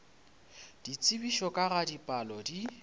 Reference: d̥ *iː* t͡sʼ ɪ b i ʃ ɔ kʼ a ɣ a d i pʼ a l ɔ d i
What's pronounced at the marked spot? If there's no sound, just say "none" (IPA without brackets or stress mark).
i